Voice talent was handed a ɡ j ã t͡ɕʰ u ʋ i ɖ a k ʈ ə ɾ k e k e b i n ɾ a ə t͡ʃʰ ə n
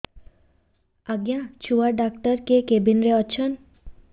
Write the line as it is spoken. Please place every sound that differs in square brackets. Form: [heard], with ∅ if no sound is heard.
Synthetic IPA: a ɡ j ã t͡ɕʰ u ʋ [a] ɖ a k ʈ ə ɾ k e k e b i n ɾ [e] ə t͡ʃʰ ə n